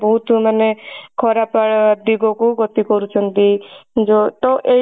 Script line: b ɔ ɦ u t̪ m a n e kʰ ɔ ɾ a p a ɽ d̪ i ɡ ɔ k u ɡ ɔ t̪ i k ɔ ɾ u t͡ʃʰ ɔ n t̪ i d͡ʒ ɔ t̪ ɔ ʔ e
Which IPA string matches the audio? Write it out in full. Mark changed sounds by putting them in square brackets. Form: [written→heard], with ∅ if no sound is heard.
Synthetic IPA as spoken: b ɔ ɦ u t̪ m a n e kʰ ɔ ɾ a p a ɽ d̪ i ɡ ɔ k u ɡ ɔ t̪ i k ɔ ɾ u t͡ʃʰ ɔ n t̪ i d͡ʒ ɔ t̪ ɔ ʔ e